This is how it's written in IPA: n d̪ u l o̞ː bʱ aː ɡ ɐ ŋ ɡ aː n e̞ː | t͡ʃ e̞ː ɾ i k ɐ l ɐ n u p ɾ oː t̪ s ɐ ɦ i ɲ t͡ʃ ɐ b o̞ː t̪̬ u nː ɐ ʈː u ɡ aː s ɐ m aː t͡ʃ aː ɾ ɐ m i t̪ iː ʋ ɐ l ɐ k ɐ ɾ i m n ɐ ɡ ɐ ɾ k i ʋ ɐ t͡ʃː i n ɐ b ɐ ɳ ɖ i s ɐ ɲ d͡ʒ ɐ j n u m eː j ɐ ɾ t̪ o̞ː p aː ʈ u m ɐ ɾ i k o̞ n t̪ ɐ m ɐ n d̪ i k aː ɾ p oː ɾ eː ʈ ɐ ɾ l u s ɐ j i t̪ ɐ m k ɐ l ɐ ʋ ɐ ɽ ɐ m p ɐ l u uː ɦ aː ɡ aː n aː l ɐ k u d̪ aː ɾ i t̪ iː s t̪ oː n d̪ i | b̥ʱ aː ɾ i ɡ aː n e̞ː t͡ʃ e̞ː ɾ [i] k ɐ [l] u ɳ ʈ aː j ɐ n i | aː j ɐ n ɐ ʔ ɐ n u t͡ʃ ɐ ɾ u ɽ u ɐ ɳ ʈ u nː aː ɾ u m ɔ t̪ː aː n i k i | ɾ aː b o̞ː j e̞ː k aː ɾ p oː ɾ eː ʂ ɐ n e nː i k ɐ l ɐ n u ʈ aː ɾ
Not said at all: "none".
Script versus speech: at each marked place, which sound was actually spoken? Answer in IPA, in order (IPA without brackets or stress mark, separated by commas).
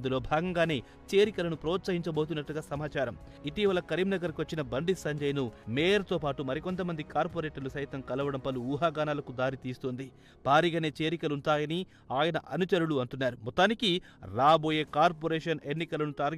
i, l